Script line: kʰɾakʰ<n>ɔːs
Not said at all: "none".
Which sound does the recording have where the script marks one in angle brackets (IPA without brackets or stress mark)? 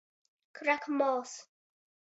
m